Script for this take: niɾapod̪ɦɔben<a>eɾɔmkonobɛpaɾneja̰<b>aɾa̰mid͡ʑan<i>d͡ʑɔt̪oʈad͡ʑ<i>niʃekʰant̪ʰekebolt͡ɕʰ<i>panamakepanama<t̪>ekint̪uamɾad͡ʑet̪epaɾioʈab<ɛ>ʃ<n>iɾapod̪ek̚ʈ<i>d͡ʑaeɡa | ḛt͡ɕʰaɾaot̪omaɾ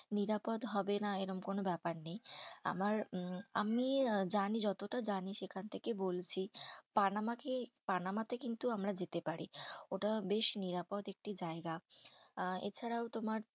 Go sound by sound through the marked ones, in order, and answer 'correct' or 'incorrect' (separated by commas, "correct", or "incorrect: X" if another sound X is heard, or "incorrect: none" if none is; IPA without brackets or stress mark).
correct, incorrect: m, correct, incorrect: a, correct, correct, incorrect: e, correct, correct